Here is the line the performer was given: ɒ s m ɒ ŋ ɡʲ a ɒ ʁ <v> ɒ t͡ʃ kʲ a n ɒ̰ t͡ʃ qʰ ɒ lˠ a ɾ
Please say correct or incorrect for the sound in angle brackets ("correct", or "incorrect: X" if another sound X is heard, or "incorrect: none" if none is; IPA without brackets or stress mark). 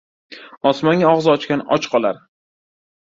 incorrect: z